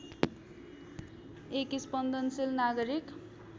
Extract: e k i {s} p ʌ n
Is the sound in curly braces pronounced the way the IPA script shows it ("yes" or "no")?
yes